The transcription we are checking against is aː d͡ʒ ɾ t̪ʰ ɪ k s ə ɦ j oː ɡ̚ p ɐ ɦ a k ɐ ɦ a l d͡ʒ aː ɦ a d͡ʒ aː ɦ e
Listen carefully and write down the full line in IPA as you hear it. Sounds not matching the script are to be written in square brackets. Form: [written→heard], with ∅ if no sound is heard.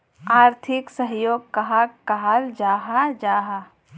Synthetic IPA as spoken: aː [d͡ʒ→∅] ɾ t̪ʰ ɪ k s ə ɦ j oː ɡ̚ [p→k] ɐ ɦ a k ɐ ɦ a l d͡ʒ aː ɦ a d͡ʒ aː ɦ [e→a]